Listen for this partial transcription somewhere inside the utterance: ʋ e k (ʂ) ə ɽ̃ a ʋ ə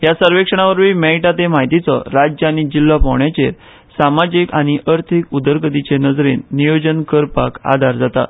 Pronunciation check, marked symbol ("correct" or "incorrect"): correct